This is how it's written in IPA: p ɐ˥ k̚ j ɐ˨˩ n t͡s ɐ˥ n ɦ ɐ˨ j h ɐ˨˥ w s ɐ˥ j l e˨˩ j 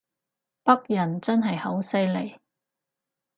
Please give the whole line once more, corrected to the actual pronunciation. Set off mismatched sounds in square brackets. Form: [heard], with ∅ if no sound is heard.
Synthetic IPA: p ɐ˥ k̚ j ɐ˨˩ n t͡s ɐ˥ n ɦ ɐ˨ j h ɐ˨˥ w s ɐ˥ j l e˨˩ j